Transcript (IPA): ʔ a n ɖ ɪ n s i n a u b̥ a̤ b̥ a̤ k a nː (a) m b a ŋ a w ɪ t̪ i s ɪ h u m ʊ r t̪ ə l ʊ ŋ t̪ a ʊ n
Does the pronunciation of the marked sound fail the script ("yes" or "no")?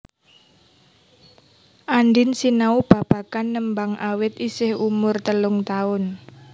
yes